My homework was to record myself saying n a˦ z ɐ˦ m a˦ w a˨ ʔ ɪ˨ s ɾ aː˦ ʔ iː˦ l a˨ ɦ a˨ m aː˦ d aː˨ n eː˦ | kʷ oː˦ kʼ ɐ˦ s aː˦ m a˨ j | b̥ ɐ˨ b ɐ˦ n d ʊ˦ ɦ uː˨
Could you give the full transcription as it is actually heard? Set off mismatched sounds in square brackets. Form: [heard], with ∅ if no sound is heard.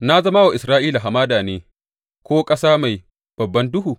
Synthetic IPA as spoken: n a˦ z ɐ˦ m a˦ w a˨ ʔ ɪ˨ s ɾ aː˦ ʔ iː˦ l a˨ ɦ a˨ m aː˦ d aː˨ n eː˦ | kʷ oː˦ kʼ ɐ˦ s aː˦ m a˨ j | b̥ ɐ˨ [bː] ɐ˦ n d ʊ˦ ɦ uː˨